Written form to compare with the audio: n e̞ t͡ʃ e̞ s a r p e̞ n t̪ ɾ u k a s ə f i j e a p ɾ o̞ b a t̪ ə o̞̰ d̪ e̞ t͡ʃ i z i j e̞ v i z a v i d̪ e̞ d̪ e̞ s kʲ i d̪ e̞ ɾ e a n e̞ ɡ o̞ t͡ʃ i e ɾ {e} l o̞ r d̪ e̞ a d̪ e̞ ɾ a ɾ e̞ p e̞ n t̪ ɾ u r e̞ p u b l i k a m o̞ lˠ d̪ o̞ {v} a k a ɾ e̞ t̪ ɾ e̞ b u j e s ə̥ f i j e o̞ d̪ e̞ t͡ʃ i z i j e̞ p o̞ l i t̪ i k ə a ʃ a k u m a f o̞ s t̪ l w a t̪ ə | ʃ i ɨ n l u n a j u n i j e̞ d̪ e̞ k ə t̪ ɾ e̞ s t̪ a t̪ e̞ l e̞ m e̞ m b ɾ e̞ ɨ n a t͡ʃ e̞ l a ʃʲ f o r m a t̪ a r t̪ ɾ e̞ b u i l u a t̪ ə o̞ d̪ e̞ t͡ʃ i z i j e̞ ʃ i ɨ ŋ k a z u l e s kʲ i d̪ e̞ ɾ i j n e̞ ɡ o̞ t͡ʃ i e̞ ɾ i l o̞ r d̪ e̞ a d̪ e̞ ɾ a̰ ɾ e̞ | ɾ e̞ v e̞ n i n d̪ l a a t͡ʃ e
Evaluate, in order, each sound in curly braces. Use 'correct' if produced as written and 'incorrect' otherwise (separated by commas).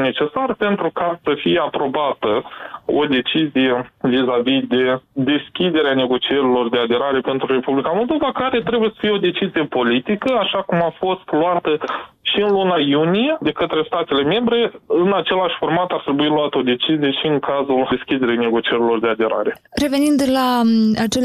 incorrect, correct